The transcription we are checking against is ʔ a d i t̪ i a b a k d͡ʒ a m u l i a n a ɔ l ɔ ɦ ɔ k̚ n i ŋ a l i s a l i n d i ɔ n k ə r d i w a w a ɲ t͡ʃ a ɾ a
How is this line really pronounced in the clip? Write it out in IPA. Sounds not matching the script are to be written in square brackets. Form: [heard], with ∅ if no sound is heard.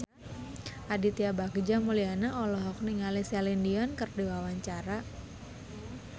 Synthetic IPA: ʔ a d i t̪ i a b a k d͡ʒ a m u l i a n a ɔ l ɔ ɦ ɔ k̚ n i ŋ a l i s a l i n d i ɔ n k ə r d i w a w a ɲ t͡ʃ a ɾ a